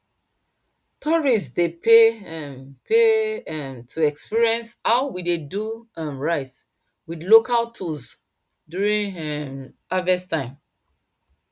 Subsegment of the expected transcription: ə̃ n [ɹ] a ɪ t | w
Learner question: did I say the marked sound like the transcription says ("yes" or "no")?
yes